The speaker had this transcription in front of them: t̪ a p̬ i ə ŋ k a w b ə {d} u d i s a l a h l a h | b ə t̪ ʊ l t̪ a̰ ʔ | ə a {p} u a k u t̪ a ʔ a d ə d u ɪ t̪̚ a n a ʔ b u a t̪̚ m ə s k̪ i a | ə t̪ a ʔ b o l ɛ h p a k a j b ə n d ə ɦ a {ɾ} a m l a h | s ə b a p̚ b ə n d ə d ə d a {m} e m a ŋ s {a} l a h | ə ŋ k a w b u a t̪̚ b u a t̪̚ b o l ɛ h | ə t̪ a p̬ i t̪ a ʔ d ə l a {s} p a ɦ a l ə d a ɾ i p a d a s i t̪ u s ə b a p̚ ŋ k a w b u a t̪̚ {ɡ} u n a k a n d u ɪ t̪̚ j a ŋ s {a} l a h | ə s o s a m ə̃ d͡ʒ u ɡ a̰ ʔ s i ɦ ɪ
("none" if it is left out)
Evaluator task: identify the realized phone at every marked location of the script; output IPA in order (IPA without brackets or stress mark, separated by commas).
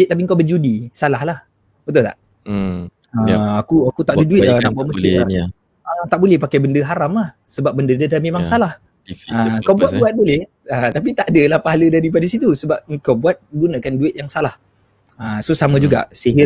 d͡ʒ, k, ɾ, m, a, h, ɡ, a